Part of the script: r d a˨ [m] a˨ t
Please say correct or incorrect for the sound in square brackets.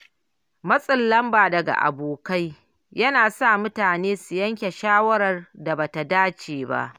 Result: incorrect